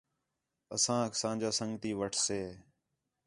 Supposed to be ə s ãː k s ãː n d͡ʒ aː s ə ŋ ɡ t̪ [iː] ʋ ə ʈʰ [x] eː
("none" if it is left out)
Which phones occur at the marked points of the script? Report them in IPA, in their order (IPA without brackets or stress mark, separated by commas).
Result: iː, s